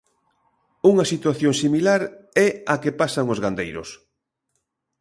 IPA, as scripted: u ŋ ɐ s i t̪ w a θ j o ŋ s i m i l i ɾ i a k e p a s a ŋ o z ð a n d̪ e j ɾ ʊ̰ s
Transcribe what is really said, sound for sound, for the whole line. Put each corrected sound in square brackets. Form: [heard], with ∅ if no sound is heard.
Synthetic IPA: u ŋ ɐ s i t̪ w a θ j o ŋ s i m i l [a] ɾ [ɛ] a k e p a s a ŋ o z [ɣ] a n d̪ e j ɾ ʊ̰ s